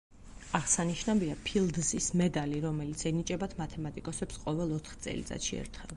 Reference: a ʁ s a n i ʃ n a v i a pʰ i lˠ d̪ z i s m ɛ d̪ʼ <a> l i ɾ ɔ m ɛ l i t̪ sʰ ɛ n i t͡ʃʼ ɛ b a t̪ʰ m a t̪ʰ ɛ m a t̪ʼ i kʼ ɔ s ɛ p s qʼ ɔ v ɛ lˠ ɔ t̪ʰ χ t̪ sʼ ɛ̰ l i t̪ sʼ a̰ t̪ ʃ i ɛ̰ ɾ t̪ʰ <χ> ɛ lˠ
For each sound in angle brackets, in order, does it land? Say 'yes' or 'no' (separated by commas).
yes, yes